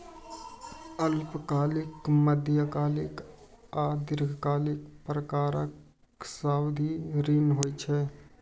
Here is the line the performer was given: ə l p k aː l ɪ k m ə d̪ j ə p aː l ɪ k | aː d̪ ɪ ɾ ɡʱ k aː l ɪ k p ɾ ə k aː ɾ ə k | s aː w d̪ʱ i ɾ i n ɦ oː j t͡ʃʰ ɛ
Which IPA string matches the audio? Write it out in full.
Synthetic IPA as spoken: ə l p k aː l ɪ k m ə d̪ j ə k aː l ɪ k | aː d̪ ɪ ɾ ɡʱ k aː l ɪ k p ɾ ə k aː ɾ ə k | s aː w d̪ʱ i ɾ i n ɦ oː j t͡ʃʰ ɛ